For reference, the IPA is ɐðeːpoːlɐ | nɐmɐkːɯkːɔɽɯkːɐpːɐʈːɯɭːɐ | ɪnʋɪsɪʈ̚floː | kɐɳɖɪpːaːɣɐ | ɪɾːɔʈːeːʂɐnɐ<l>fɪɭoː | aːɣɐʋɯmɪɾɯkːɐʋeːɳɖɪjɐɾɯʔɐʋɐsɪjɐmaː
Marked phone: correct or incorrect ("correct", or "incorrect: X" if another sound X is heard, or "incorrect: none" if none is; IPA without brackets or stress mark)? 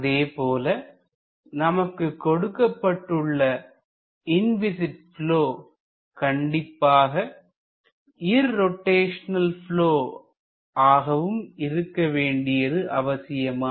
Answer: correct